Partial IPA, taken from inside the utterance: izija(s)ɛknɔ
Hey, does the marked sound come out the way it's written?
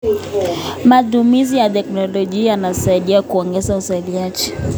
no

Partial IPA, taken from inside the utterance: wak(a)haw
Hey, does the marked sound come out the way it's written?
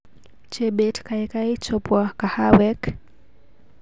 yes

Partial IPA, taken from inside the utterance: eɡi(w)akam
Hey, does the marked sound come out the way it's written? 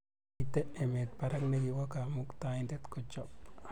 yes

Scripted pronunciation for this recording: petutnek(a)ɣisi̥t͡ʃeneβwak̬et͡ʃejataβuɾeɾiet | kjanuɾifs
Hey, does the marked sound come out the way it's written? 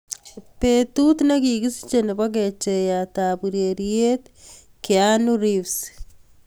no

